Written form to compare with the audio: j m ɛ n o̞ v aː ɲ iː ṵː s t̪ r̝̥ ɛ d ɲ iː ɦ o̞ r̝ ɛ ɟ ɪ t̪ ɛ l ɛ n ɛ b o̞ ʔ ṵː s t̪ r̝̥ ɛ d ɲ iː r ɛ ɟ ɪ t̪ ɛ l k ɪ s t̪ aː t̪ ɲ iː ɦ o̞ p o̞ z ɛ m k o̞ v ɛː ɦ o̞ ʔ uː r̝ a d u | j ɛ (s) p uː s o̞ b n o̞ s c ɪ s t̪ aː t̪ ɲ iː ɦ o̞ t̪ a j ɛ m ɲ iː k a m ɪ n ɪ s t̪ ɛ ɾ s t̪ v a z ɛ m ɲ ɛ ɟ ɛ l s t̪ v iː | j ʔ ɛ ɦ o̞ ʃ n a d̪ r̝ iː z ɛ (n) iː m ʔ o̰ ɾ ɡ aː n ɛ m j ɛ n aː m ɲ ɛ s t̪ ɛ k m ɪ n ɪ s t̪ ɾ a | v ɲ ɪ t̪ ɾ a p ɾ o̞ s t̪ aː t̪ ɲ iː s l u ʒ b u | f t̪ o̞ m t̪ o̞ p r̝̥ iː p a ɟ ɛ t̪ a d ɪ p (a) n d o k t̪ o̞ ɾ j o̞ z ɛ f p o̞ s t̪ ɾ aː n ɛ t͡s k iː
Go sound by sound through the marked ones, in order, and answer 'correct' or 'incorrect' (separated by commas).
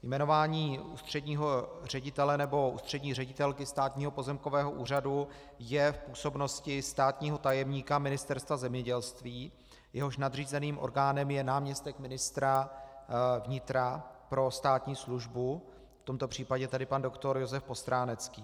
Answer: incorrect, correct, correct